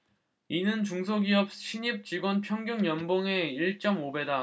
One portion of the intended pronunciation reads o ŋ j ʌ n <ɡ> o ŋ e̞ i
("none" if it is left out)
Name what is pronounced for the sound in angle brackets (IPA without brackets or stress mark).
b